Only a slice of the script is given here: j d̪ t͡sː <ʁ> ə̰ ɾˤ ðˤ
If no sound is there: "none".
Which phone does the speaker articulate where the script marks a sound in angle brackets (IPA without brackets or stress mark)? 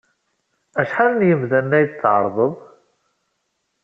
ʕ